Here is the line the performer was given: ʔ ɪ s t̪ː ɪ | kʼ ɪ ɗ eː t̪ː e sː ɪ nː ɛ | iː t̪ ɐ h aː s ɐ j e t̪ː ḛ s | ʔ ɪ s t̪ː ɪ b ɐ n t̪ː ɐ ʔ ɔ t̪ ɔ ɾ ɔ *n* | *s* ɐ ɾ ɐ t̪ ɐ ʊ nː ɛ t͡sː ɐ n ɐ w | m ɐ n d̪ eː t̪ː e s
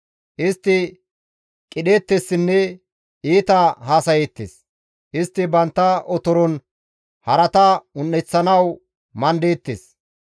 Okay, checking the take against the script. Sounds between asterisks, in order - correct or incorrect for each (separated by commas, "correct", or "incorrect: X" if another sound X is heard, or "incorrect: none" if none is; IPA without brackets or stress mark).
correct, incorrect: h